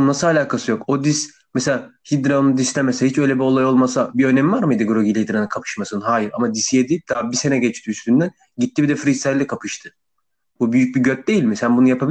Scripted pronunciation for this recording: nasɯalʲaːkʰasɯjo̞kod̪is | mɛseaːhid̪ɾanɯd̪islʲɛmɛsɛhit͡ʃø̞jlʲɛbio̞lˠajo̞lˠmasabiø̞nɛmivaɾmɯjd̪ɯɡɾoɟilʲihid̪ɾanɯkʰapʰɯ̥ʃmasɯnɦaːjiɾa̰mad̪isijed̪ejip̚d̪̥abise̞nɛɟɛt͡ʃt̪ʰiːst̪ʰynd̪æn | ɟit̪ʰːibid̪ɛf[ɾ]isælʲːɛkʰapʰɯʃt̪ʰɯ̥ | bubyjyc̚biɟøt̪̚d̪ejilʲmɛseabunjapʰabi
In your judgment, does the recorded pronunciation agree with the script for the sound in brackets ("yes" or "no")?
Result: yes